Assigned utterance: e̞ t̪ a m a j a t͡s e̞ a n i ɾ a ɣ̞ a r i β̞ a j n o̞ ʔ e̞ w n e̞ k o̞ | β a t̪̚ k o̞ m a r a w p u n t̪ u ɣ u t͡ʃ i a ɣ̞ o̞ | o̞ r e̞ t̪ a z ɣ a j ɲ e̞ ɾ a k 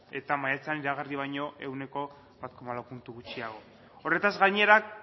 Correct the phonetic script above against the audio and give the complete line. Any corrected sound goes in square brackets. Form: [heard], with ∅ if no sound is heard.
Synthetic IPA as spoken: e̞ t̪ a m a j a t͡s e̞ a n i ɾ a ɣ̞ a r i β̞ a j [ɲ] o̞ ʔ e̞ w n e̞ k o̞ | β a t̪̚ k o̞ m a [l] a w p u n t̪ u ɣ u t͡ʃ i a ɣ̞ o̞ | o̞ r e̞ t̪ a z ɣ a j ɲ e̞ ɾ a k